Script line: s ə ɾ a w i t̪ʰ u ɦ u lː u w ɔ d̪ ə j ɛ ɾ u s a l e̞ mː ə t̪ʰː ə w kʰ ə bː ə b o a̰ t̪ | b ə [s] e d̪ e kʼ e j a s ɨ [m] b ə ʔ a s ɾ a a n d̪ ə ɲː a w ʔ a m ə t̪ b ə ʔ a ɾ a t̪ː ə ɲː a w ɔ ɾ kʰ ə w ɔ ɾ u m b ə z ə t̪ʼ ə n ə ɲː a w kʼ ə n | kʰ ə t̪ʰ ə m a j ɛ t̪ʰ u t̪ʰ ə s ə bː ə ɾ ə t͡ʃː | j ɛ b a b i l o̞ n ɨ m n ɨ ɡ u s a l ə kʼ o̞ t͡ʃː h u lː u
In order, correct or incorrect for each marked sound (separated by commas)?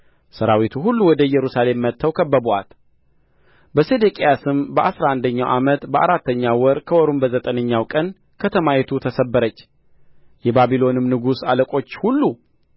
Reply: correct, correct